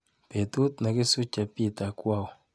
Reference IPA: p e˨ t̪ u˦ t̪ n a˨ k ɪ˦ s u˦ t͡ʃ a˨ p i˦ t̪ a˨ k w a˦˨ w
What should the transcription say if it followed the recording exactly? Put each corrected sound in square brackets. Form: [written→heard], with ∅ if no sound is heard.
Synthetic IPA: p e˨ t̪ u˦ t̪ n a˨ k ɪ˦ s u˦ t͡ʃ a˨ p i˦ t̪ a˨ k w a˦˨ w